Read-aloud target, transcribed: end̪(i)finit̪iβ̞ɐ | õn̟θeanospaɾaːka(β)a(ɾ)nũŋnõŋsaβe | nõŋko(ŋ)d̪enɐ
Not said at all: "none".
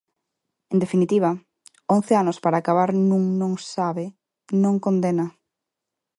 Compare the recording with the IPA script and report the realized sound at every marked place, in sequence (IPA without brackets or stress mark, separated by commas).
e, β, ɾ, n